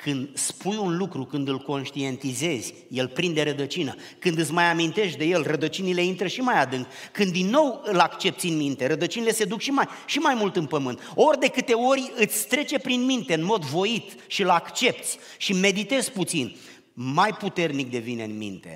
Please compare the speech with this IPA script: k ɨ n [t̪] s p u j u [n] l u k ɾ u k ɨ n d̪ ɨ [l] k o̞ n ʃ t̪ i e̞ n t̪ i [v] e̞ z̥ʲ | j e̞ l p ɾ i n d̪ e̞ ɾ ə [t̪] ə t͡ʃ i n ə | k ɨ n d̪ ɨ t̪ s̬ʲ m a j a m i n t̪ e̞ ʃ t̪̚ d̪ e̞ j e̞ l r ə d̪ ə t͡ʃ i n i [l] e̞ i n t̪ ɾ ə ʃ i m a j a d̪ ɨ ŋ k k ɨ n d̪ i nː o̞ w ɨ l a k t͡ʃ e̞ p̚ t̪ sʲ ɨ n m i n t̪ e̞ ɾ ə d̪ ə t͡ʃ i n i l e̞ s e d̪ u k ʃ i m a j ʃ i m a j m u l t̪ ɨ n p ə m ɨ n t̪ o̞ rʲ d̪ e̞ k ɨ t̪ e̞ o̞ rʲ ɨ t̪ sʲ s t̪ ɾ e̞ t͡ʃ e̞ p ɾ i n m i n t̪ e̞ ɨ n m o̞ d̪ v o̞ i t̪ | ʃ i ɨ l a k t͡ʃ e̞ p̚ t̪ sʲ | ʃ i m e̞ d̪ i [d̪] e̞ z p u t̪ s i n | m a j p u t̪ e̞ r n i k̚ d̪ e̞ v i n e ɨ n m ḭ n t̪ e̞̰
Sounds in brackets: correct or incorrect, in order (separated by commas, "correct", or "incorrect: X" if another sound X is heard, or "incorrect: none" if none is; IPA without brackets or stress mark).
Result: incorrect: d̪, correct, correct, incorrect: z, incorrect: d̪, correct, incorrect: t̪